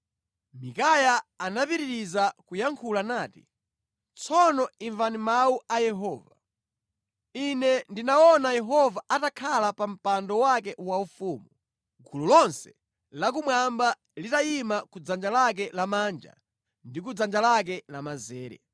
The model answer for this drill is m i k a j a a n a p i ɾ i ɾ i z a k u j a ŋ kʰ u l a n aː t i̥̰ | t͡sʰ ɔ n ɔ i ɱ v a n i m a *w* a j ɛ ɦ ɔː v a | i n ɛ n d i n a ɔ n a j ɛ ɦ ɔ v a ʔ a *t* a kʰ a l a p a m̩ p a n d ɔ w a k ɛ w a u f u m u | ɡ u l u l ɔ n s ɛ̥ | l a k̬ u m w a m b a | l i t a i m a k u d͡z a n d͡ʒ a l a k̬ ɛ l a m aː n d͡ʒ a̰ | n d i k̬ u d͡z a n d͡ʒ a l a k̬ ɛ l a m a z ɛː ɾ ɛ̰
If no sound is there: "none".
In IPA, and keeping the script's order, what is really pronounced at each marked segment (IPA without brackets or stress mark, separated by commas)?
u, t